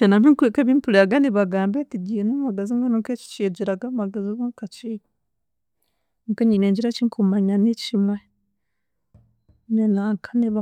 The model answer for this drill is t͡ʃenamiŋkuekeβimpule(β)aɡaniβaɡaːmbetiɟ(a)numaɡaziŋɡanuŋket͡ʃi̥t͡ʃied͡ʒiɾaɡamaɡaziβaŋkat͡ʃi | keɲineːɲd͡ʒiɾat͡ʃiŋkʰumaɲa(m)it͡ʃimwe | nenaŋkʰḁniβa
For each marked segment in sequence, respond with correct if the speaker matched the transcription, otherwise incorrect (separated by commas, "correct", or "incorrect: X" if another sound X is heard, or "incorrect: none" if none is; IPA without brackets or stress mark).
incorrect: none, incorrect: i, incorrect: n